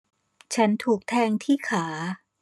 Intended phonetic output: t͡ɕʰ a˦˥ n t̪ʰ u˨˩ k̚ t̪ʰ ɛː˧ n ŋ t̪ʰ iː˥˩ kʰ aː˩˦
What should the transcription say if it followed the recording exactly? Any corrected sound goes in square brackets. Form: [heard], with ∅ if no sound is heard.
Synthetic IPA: t͡ɕʰ a˦˥ n t̪ʰ [uː˨˩] k̚ t̪ʰ ɛː˧ [∅] ŋ t̪ʰ iː˥˩ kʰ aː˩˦